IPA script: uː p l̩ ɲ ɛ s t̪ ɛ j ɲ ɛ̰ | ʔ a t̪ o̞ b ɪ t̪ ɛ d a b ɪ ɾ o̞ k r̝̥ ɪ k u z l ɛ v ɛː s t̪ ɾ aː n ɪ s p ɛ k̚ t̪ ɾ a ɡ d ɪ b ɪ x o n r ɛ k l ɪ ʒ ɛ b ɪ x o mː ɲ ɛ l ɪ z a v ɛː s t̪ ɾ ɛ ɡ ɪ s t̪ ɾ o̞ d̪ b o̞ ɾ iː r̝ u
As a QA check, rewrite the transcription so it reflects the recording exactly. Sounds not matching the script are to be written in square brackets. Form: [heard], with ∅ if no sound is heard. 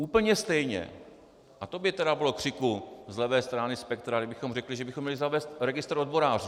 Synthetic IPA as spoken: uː p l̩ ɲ ɛ s t̪ ɛ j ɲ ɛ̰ | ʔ a t̪ o̞ b ɪ t̪ ɛ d a b ɪ [l] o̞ k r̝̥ ɪ k u z l ɛ v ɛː s t̪ ɾ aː n ɪ s p ɛ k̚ t̪ ɾ a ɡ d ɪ b ɪ x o [m] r ɛ k l ɪ ʒ ɛ b ɪ x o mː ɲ ɛ l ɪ z a v ɛː s t̪ ɾ ɛ ɡ ɪ s t̪ ɾ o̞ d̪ b o̞ ɾ [aː] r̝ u